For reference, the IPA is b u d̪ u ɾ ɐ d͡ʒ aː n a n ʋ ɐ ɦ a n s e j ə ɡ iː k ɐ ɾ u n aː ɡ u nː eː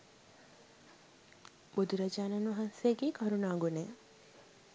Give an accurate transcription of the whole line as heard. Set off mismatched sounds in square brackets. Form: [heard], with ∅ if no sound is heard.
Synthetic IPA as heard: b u d̪ u ɾ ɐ d͡ʒ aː n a n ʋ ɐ ɦ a n s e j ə ɡ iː k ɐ ɾ u n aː ɡ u [n] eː